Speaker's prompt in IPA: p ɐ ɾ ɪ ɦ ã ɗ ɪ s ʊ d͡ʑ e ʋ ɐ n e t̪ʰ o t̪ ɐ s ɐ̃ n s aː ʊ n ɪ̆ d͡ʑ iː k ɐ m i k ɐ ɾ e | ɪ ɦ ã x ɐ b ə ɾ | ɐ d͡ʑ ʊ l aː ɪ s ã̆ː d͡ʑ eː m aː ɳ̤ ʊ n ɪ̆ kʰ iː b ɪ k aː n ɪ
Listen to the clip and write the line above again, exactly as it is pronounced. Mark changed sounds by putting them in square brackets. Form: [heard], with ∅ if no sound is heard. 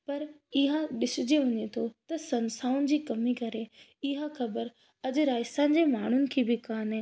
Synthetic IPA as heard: p ɐ ɾ ɪ ɦ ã ɗ ɪ s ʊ d͡ʑ e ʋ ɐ [ɲ] e t̪ʰ o t̪ ɐ s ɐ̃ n s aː ʊ n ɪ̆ d͡ʑ iː k ɐ m i k ɐ ɾ e | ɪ ɦ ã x ɐ b ə ɾ | ɐ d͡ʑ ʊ [ɾ] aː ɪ s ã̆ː d͡ʑ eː m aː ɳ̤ ʊ n ɪ̆ kʰ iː b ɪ k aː n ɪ